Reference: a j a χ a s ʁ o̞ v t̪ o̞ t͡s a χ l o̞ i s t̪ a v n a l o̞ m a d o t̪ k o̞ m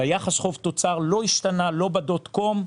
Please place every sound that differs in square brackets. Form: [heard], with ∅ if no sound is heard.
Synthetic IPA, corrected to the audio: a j a χ a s [χ] o̞ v t̪ o̞ t͡s a [ʁ] l o̞ i [ʃ] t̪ a [∅] n a l o̞ [b] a d o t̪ k o̞ m